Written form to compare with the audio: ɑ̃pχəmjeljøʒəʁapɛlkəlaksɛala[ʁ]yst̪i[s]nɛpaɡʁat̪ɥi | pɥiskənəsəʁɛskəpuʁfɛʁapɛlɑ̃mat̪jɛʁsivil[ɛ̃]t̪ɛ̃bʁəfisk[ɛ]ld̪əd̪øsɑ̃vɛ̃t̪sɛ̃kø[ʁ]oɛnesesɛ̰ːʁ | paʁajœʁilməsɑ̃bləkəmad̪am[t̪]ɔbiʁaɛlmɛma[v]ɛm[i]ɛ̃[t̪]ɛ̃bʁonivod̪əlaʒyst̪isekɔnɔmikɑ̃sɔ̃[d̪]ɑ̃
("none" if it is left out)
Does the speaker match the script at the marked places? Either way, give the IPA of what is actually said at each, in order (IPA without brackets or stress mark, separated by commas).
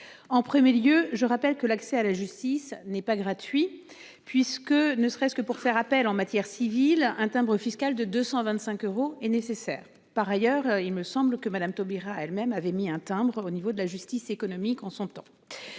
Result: ʒ, s, ɛ̃, a, ʁ, t̪, v, i, t̪, t̪